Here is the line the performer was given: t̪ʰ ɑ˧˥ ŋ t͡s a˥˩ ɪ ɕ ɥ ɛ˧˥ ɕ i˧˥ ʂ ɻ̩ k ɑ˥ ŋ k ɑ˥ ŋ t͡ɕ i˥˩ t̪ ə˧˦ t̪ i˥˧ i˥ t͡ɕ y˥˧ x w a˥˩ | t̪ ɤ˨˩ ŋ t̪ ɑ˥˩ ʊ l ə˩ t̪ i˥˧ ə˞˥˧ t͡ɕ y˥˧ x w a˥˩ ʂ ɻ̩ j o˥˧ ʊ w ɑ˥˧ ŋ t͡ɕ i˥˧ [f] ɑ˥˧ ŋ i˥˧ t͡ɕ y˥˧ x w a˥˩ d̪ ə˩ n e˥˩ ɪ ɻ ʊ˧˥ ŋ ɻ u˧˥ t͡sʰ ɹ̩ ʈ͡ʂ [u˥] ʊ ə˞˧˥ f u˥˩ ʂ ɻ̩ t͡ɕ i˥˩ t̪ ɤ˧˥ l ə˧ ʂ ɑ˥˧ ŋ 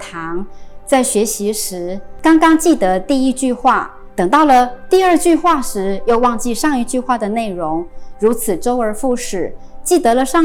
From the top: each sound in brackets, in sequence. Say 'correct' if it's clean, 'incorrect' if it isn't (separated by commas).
incorrect, incorrect